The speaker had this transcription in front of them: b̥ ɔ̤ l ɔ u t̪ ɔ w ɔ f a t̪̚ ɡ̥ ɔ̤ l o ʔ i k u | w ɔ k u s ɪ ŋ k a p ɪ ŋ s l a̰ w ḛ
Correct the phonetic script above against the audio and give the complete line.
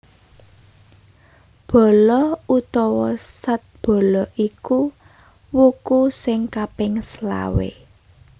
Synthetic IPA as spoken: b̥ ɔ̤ l ɔ u t̪ ɔ w ɔ s a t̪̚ b̥ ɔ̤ l ɔ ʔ i k u | w u k u s ɪ ŋ k a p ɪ ŋ s l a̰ w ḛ